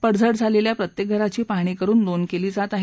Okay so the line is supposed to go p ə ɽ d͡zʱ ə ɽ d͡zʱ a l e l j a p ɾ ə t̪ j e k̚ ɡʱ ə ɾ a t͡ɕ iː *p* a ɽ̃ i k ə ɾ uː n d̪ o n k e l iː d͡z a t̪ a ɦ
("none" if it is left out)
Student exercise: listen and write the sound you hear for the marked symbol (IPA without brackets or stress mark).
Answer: p